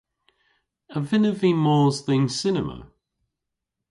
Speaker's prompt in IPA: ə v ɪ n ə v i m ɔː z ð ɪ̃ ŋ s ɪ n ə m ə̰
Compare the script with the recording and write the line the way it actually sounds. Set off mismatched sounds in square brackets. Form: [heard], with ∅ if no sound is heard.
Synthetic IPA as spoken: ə v ɪ n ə v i m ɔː z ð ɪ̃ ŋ s ɪ n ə m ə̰